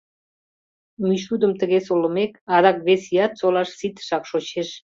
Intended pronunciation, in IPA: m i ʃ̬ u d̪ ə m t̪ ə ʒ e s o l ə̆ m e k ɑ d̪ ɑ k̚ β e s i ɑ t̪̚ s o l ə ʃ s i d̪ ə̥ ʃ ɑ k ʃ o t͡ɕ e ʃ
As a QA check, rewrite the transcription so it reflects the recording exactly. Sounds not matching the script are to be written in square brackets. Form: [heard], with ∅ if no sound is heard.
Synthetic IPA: m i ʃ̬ u d̪ ə m t̪ ə [ɣ] e s o l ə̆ m e k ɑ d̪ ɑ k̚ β e s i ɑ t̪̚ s o l [ɑ] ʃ s i [t̪] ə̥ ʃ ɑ k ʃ o t͡ɕ e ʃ